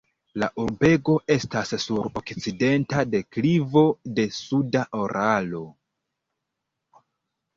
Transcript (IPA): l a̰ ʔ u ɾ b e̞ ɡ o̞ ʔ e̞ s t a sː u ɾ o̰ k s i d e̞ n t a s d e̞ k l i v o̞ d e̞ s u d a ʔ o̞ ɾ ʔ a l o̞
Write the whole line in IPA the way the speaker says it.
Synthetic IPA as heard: l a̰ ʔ u ɾ b e̞ ɡ o̞ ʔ e̞ s t a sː u ɾ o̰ k t͡s i d e̞ n t a d e̞ k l i v o̞ d e̞ s u d a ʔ o̞ ɾ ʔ a l o̞